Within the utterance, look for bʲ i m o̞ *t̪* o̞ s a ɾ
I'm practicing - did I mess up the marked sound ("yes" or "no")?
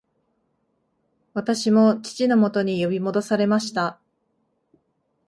yes